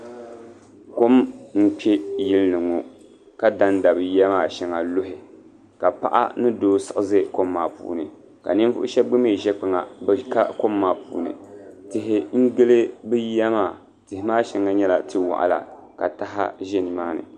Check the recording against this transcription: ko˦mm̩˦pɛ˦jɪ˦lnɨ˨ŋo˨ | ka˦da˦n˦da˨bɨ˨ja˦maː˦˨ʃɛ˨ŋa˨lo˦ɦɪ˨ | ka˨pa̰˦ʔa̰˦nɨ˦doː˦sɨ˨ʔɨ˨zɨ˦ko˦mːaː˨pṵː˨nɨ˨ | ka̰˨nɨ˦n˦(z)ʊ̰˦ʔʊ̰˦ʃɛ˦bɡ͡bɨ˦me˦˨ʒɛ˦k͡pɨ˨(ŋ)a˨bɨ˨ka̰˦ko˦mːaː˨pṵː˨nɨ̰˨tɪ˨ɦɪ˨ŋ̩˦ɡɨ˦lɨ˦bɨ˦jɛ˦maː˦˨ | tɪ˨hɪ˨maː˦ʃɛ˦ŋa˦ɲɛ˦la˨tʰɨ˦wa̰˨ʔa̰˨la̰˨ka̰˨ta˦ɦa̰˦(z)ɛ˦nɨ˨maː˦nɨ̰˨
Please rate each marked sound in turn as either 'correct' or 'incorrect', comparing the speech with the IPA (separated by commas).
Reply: incorrect, correct, incorrect